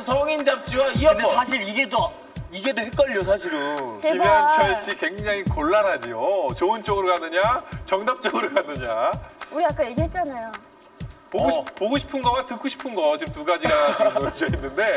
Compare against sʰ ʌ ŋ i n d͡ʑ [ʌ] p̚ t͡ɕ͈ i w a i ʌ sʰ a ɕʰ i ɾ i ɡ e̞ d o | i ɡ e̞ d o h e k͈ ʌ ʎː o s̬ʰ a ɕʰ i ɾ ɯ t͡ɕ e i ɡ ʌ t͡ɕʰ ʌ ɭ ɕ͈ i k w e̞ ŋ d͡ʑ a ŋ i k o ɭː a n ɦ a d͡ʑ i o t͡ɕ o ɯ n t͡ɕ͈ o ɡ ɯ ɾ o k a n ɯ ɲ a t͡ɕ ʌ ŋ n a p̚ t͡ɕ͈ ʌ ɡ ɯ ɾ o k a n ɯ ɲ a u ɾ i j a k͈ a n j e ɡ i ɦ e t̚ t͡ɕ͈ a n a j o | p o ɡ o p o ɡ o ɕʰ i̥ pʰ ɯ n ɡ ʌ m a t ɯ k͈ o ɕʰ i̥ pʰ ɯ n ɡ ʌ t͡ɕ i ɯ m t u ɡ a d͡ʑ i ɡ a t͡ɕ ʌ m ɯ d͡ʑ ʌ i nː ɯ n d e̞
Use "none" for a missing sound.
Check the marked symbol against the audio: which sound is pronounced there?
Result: a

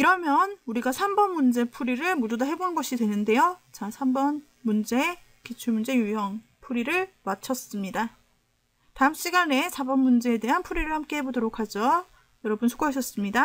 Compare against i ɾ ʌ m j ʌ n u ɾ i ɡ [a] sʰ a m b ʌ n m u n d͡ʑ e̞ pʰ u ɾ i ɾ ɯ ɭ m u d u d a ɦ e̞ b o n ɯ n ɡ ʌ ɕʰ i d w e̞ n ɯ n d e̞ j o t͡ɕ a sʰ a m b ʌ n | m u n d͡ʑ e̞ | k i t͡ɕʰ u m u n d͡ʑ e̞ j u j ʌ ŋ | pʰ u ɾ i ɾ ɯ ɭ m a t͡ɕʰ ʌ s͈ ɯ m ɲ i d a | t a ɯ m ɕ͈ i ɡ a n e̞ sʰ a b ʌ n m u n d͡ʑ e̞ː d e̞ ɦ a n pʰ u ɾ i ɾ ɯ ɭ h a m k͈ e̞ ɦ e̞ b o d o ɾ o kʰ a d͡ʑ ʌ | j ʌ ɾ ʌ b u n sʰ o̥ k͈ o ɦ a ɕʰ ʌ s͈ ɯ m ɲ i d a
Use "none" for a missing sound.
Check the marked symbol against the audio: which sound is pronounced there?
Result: a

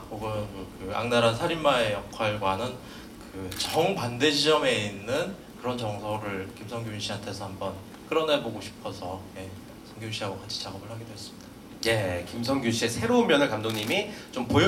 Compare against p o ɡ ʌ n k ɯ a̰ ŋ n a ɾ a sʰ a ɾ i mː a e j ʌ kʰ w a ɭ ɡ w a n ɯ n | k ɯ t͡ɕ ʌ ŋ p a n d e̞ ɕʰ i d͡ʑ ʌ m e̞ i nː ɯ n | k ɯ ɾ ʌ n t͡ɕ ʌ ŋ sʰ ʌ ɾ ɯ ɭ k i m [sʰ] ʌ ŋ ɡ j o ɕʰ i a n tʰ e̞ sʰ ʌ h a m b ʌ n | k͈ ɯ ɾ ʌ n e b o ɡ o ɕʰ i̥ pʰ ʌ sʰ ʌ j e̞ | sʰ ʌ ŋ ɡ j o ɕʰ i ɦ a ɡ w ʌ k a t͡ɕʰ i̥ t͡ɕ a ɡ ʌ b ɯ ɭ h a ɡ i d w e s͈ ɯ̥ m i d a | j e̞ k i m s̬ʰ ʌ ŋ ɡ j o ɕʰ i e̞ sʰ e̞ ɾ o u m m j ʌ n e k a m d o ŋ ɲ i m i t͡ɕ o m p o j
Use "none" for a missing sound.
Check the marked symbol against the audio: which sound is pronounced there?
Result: sʰ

